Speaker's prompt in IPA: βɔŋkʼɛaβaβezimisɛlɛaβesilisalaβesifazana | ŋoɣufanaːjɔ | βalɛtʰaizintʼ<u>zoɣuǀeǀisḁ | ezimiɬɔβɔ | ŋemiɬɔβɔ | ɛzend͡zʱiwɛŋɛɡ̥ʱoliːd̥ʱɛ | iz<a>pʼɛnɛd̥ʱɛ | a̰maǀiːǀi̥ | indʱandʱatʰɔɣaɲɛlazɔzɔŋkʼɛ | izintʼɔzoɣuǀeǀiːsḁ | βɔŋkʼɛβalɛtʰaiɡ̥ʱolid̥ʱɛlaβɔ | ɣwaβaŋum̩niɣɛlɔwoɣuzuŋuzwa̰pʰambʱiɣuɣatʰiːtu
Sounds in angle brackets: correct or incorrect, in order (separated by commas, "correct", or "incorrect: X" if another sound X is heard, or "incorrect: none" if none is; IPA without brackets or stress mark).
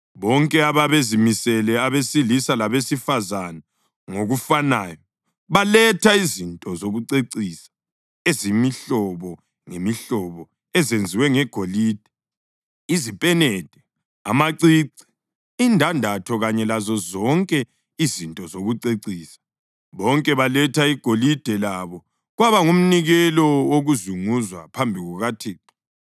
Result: incorrect: ɔ, incorrect: i